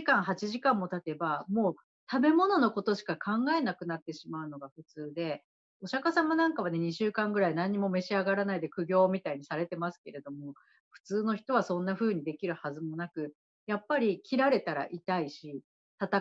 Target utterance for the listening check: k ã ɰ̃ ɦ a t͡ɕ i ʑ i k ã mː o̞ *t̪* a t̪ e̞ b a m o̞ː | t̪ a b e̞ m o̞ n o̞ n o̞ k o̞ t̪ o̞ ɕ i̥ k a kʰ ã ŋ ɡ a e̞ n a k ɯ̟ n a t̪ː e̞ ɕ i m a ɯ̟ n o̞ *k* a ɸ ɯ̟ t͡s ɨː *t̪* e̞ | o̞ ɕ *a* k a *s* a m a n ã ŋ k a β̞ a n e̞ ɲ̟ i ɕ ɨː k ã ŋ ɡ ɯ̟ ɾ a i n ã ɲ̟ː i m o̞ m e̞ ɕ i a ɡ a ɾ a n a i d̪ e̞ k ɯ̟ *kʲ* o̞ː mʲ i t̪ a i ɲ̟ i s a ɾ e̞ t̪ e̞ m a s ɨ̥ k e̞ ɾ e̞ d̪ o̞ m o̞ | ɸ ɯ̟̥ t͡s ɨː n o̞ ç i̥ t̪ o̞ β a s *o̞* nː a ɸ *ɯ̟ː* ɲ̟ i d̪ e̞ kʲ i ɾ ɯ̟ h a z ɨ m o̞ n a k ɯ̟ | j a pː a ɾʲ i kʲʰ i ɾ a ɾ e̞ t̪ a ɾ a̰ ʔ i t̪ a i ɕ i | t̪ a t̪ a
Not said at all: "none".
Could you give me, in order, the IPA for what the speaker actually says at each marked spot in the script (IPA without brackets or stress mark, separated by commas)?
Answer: t̪, ɡ, d̪, a, s, ɡʲ, õ̞, ɯ̟ː